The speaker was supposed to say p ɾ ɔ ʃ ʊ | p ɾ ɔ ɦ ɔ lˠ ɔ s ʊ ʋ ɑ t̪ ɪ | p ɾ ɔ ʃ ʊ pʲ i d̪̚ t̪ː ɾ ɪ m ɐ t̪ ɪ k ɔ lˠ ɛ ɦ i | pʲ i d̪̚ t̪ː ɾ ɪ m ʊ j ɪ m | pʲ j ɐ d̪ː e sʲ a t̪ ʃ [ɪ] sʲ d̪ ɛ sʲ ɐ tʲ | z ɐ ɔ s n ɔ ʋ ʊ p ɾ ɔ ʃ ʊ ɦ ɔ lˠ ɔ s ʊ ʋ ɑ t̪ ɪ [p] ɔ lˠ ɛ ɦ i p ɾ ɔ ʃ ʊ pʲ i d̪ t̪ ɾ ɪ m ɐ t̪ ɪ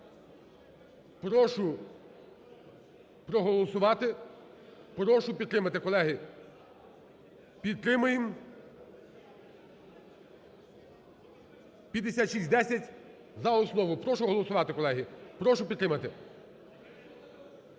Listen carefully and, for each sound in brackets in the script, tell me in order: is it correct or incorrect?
incorrect: i, incorrect: k

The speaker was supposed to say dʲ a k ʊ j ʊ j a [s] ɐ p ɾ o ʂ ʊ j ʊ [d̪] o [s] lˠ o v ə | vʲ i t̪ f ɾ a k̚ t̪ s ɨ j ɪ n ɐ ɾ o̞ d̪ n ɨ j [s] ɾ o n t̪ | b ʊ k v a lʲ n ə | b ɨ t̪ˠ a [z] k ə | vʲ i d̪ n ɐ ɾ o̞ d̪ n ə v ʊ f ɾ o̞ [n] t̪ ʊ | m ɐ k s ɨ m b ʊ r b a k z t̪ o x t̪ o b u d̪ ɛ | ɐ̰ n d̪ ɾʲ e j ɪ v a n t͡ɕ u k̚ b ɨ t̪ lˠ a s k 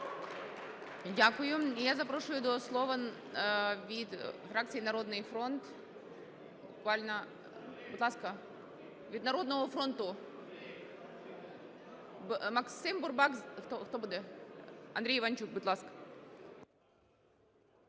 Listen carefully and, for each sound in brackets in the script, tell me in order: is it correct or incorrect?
incorrect: z, correct, correct, incorrect: f, incorrect: s, correct

